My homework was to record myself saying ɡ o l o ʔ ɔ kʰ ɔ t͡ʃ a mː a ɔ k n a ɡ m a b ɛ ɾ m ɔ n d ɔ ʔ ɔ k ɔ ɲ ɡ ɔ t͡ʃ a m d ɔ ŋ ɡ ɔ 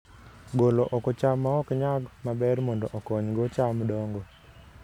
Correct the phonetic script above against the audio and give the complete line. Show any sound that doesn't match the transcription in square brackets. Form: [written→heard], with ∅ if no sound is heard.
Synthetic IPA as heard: ɡ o l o ʔ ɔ [kʰ→k] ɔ t͡ʃ a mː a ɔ k [n→ɲ] a ɡ m a b ɛ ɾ m ɔ n d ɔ ʔ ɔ k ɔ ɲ ɡ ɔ t͡ʃ a m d ɔ ŋ ɡ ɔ